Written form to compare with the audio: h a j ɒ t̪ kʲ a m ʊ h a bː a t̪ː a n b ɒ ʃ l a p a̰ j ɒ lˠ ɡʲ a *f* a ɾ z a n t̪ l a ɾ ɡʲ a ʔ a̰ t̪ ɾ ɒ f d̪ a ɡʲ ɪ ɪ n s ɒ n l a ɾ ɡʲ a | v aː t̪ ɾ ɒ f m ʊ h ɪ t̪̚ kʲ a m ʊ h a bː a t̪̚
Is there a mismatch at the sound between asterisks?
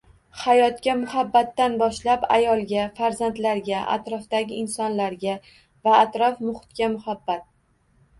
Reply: no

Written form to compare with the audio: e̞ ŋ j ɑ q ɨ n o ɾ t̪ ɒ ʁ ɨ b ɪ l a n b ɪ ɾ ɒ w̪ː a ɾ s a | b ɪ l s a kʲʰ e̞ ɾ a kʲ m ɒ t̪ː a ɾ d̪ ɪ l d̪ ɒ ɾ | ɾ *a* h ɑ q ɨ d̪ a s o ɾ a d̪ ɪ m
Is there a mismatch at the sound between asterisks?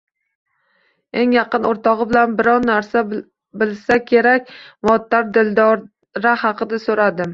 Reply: no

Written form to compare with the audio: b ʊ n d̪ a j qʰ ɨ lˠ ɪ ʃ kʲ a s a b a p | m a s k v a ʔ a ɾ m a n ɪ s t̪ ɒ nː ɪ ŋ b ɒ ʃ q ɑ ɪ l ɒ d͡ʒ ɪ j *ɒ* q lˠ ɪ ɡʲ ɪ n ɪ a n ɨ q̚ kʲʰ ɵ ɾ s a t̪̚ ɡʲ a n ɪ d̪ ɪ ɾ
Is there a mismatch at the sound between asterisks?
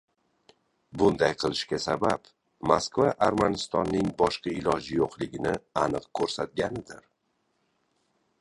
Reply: yes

